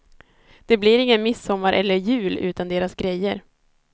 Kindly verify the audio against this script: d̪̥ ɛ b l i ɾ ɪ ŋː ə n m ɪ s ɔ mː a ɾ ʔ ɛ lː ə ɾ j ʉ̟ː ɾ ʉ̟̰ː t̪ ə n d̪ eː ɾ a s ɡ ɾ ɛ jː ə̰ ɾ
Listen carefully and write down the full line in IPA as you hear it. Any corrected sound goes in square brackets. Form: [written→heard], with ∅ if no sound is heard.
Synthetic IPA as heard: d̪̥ ɛ b l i ɾ ɪ ŋː ə n m ɪ s ɔ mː a ɾ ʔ ɛ lː ə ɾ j ʉ̟ː [ɾ→l] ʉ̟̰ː t̪ [ə→a] n d̪ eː ɾ a s ɡ ɾ ɛ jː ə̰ ɾ

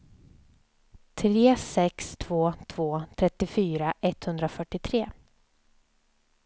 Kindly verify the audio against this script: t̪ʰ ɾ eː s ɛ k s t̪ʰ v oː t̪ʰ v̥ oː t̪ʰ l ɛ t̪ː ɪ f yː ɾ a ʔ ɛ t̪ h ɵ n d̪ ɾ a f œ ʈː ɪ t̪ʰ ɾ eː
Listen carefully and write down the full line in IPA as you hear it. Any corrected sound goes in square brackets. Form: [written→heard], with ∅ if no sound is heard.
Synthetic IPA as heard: t̪ʰ ɾ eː s ɛ k s t̪ʰ v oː t̪ʰ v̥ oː t̪ʰ [l→ɾ] ɛ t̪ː ɪ f yː ɾ a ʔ ɛ t̪ h ɵ n d̪ ɾ a f œ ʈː ɪ t̪ʰ ɾ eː

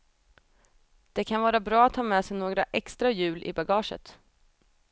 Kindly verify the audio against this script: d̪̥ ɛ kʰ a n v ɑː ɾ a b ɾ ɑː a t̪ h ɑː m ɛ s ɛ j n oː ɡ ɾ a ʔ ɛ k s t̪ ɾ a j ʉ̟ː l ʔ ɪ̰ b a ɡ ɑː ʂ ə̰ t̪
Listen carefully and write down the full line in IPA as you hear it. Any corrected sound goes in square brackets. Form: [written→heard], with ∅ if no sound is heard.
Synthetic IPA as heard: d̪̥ ɛ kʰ a n v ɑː ɾ a b ɾ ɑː a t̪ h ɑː m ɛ s ɛ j n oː ɡ ɾ a ʔ ɛ k s t̪ ɾ a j ʉ̟ː l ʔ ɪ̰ b a ɡ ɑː ʂ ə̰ t̪

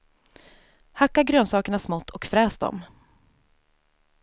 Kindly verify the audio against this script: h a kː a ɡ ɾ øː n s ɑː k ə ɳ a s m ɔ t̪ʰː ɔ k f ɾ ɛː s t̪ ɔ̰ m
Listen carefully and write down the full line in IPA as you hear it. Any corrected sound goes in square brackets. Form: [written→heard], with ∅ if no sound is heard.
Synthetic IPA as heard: h a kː a ɡ ɾ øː n s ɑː k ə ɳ a s m ɔ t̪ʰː ɔ k f ɾ ɛː s [t̪→d̪] ɔ̰ m

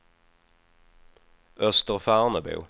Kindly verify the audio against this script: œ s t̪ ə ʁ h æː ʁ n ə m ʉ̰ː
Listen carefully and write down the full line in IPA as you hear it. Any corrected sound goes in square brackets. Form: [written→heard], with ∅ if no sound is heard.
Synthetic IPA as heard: œ s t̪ ə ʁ [h→f] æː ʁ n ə [m→b] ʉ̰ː

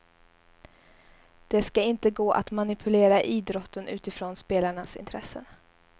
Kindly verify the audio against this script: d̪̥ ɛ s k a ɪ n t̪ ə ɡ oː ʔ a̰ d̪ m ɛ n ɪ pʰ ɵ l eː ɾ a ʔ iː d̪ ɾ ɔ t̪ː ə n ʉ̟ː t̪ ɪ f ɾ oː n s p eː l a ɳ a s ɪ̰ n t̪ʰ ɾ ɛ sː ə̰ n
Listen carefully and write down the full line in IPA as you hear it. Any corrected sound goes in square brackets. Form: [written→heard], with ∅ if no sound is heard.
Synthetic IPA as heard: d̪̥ ɛ s k a ɪ n t̪ ə ɡ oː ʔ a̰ [d̪→t̪] m [ɛ→a] n ɪ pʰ ɵ l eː ɾ a ʔ iː d̪ ɾ ɔ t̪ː ə n ʉ̟ː t̪ ɪ f ɾ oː n s p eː l a ɳ a s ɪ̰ n t̪ʰ ɾ ɛ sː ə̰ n

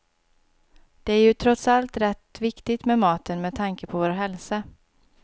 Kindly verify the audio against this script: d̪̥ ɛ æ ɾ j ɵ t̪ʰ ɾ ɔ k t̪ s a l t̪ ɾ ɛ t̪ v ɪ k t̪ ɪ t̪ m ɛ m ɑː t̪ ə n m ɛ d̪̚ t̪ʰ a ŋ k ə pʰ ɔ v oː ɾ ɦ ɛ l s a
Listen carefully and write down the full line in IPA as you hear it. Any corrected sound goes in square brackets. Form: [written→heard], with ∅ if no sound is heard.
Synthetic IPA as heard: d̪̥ ɛ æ ɾ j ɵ t̪ʰ ɾ ɔ [k→∅] t̪ s a l t̪ ɾ ɛ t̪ v ɪ k t̪ ɪ t̪ m ɛ m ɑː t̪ ə n m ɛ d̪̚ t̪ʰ a ŋ k ə pʰ ɔ v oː ɾ ɦ ɛ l s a

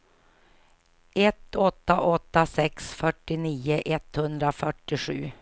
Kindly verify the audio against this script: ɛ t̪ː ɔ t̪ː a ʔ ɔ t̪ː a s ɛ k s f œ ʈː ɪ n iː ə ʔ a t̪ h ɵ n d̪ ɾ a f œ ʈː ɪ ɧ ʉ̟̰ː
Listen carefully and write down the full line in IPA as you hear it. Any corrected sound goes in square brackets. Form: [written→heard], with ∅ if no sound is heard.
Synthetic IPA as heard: ɛ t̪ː ɔ t̪ː a ʔ ɔ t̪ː a s ɛ k s f œ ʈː ɪ n iː ə ʔ [a→ɛ] t̪ h ɵ n d̪ ɾ a f œ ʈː ɪ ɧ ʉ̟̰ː

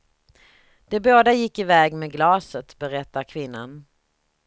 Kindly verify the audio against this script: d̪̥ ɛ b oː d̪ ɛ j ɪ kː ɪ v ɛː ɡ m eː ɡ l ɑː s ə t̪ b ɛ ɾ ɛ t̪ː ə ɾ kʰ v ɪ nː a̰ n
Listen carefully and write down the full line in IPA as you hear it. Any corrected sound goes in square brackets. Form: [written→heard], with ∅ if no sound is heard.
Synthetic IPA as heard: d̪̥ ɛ b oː d̪ [ɛ→a] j ɪ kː ɪ v ɛː ɡ m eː ɡ l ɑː s ə t̪ b ɛ ɾ ɛ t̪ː [ə→a] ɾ kʰ v ɪ nː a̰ n

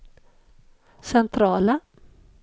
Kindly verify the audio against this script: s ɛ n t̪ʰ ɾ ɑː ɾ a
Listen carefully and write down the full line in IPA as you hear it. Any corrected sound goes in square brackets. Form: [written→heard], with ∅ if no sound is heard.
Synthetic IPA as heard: s ɛ n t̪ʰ ɾ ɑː [ɾ→l] a

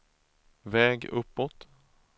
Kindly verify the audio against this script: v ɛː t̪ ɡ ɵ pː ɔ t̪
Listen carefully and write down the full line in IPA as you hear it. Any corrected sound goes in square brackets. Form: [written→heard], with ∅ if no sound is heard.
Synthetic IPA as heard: v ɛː [t̪→∅] ɡ ɵ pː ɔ t̪

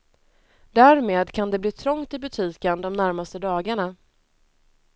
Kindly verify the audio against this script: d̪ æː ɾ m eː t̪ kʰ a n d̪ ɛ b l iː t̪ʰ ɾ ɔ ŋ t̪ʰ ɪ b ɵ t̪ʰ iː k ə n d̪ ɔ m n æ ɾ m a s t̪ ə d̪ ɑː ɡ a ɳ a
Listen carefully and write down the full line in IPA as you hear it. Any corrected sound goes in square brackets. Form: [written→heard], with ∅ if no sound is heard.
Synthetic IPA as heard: d̪ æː ɾ m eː [t̪→d̪] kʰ a n d̪ ɛ b l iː t̪ʰ ɾ ɔ ŋ [t̪ʰ→t̪] ɪ b ɵ t̪ʰ iː k ə n d̪ ɔ m n æ ɾ m a s t̪ ə d̪ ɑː ɡ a ɳ a

